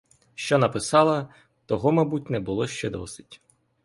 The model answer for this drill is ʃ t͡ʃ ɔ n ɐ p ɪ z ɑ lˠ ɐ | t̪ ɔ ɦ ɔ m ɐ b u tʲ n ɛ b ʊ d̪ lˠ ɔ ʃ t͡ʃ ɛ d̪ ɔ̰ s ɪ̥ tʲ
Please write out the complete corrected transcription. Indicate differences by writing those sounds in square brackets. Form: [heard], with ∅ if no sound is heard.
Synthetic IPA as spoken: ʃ t͡ʃ ɔ n ɐ p ɪ [s] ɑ lˠ ɐ | t̪ ɔ ɦ ɔ m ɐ b u tʲ n ɛ b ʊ [∅] lˠ ɔ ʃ t͡ʃ ɛ d̪ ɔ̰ s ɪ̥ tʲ